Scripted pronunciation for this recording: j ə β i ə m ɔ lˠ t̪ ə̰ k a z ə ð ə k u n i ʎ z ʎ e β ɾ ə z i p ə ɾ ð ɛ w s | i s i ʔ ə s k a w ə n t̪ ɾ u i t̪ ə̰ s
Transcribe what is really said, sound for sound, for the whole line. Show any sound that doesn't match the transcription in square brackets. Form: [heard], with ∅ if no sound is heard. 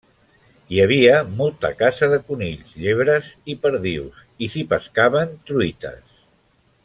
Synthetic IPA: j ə β i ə m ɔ lˠ t̪ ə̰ k a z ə ð ə k u n i ʎ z ʎ e β ɾ ə z i p ə ɾ ð [i] w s | i s i [p] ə s k a [β] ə n t̪ ɾ u i t̪ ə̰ s